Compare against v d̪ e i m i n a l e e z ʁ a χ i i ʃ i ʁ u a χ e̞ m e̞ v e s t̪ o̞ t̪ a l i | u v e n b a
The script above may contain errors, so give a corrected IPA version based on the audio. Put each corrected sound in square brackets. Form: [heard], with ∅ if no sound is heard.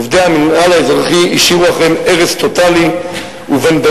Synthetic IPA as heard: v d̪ e [a] m i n a l [a] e z ʁ a χ i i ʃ i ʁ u a χ e̞ m e̞ [ʁ] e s t̪ o̞ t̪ a l i | u v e n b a